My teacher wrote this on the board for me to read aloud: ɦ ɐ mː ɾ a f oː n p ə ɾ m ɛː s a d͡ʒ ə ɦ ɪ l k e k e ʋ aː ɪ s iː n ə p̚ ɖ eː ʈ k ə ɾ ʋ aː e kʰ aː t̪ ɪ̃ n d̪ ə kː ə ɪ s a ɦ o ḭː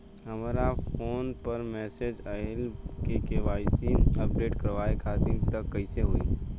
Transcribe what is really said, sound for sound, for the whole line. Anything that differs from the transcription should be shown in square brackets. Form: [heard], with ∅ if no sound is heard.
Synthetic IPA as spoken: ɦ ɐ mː ɾ a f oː n p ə ɾ m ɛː s [e] d͡ʒ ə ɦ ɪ l k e k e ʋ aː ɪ s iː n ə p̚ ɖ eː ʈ k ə ɾ ʋ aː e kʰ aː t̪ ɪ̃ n [t̪] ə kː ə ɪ s [e] ɦ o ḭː

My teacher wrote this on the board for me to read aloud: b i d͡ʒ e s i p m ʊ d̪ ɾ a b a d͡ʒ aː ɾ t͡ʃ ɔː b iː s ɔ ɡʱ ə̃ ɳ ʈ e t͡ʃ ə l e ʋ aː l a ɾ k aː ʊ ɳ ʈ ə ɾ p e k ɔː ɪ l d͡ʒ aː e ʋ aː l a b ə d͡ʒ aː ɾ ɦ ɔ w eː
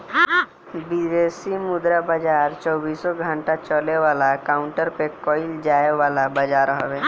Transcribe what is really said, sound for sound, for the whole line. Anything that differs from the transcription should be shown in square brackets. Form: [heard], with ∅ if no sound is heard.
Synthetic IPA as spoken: b i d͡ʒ e s i [∅] m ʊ d̪ ɾ a b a d͡ʒ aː ɾ t͡ʃ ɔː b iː s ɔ ɡʱ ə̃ ɳ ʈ [a] t͡ʃ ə l e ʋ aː l a [∅] k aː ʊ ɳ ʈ ə ɾ p e k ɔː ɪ l d͡ʒ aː e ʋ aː l a b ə d͡ʒ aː ɾ ɦ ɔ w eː

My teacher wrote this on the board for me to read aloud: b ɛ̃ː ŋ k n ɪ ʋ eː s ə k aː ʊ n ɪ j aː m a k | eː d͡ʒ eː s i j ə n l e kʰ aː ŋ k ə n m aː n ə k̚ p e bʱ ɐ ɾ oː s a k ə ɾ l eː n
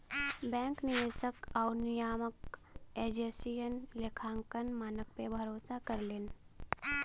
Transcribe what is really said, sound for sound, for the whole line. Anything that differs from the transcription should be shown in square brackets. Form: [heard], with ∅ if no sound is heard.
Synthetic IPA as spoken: b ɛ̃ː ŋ k n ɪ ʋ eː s ə k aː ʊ n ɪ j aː m [ə] k | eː d͡ʒ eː s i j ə n l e kʰ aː ŋ k ə n m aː n ə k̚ p e bʱ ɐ ɾ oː s a k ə ɾ l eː n

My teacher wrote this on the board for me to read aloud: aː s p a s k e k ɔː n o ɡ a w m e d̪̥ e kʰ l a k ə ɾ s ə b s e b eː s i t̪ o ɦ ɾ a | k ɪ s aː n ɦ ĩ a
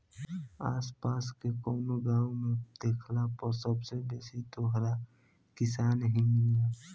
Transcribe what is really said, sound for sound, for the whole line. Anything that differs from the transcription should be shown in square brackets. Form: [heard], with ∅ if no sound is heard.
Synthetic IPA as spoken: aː s p a s k e k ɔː n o ɡ a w m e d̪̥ e kʰ l a [p] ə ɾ s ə b s e b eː s i t̪ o ɦ ɾ a | k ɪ s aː n ɦ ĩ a

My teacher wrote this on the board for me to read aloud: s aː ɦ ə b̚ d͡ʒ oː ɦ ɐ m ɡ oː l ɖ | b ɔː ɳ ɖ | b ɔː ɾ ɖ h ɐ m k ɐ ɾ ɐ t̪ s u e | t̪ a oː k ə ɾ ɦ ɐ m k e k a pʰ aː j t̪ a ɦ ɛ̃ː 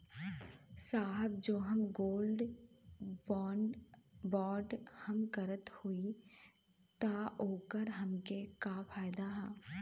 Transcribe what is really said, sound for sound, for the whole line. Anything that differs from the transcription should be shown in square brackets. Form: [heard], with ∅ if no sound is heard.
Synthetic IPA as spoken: s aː ɦ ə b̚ d͡ʒ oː ɦ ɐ m ɡ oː l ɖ | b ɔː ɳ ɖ | b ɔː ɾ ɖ h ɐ m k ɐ ɾ [ə] t̪ [h] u [i] | t̪ a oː k ə ɾ ɦ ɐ m k e k a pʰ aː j [d̪] a ɦ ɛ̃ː

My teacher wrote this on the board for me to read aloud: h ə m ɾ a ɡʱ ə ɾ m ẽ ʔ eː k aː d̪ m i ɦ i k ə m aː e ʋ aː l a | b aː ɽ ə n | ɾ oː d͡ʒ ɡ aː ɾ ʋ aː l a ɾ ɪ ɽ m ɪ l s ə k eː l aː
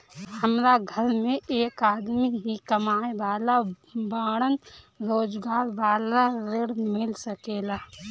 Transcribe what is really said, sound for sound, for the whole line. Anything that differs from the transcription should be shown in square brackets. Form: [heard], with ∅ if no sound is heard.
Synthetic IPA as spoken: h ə m ɾ a ɡʱ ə ɾ m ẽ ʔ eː k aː d̪ m i ɦ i k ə m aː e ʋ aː l a | b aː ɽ ə n | ɾ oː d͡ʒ ɡ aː ɾ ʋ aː l a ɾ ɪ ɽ m ɪ l s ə k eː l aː

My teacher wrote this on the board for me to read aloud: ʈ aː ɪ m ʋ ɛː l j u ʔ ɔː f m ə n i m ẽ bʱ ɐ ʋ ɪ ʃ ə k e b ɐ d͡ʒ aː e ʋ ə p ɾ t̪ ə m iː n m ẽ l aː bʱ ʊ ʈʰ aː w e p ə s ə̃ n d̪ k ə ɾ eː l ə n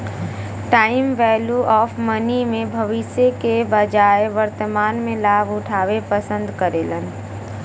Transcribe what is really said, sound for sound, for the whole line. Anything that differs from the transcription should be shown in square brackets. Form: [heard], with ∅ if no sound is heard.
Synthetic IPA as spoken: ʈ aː ɪ m ʋ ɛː l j u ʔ ɔː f m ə n i m ẽ bʱ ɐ ʋ ɪ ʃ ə k e b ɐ d͡ʒ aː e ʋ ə [∅] ɾ t̪ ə m [aː] n m ẽ l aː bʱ ʊ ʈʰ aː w e p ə s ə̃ n d̪ k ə ɾ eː l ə n

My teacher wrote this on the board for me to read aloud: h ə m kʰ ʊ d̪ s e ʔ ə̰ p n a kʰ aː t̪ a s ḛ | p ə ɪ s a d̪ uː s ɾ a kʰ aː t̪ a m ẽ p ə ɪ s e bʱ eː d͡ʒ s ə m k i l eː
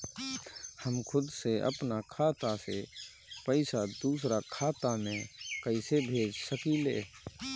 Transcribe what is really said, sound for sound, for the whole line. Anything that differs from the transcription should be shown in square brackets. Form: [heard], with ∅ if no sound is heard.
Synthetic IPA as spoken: h ə m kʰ ʊ d̪ s e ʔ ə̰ p n a kʰ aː t̪ a s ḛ | p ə ɪ s a d̪ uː s ɾ a kʰ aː t̪ a m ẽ [k] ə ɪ s e bʱ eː d͡ʒ s ə [∅] k i l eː

